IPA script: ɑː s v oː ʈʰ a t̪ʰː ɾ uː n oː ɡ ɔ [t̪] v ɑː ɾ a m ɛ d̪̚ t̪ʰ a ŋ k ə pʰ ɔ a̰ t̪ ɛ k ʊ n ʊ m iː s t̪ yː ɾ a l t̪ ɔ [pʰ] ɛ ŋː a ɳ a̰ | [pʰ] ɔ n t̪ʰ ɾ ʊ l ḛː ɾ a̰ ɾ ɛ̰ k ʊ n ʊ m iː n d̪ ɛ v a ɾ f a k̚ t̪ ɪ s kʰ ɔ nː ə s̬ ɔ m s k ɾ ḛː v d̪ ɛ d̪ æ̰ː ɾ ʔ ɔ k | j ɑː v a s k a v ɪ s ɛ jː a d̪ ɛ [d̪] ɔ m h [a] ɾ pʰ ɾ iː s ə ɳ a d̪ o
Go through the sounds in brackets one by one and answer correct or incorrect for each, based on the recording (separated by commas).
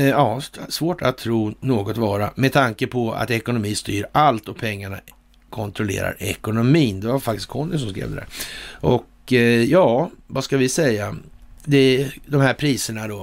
correct, correct, incorrect, correct, incorrect